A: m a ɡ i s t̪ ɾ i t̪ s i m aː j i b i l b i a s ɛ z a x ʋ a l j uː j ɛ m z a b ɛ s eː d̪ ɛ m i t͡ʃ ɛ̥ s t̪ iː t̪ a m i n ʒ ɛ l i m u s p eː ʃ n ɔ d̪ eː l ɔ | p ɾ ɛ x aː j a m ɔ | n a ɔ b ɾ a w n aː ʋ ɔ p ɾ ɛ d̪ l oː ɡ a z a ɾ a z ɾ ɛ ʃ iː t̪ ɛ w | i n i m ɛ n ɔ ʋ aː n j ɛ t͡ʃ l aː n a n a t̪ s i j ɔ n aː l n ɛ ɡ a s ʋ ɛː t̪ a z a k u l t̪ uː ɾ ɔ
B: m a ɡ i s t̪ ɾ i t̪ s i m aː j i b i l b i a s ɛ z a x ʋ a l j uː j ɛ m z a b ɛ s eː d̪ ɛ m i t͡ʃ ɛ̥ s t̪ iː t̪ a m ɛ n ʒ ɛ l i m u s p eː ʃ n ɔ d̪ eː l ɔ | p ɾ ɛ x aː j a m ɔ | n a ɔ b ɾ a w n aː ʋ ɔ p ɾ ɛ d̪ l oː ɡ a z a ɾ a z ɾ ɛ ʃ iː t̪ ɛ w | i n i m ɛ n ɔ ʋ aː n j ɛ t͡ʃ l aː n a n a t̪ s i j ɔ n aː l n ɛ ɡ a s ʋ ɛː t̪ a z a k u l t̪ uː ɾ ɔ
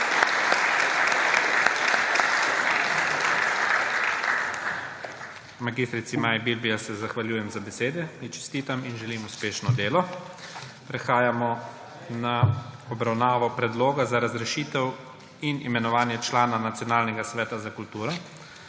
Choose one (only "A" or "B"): A